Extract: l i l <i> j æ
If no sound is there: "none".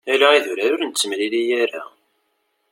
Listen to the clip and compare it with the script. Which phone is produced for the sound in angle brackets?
i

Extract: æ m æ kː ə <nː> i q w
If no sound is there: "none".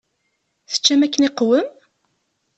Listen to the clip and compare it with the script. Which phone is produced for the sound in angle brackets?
n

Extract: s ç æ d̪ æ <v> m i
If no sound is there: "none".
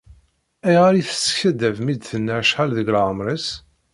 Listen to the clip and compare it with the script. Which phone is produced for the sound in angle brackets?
v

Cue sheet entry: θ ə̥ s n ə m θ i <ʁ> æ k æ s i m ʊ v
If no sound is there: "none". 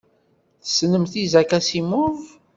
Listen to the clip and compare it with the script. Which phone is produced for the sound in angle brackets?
z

